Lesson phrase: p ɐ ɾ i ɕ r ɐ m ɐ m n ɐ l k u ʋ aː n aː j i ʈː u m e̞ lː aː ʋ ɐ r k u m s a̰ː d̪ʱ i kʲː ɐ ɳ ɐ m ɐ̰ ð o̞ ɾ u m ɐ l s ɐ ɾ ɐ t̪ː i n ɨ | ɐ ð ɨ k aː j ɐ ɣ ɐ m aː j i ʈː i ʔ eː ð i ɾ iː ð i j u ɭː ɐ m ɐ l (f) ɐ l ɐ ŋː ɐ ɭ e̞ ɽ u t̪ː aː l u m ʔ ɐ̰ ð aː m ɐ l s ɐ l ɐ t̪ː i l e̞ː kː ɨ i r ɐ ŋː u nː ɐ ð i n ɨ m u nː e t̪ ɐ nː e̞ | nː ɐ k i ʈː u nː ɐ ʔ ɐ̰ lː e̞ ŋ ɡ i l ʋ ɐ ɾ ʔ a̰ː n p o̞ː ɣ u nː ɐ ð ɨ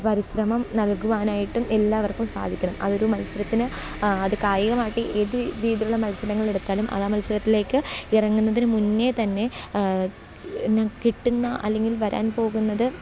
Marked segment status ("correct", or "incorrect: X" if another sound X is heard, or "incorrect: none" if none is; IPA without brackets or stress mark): incorrect: s